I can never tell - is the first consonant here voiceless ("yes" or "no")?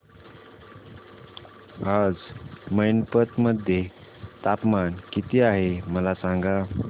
no